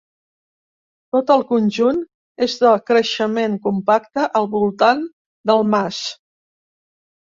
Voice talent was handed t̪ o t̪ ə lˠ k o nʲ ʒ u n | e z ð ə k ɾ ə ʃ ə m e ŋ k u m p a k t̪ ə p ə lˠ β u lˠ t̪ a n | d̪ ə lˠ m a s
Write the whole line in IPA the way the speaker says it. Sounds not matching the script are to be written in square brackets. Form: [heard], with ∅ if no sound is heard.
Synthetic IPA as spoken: t̪ o t̪ ə lˠ k [u] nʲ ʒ u n | e z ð ə k ɾ ə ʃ ə m e ŋ k u m p a k t̪ ə [ʔ] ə lˠ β u lˠ t̪ a n | d̪ ə lˠ m a s